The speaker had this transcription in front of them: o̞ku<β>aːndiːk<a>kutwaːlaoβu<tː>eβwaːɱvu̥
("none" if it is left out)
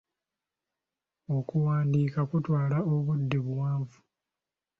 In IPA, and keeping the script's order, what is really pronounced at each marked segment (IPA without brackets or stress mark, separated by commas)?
w, a, dː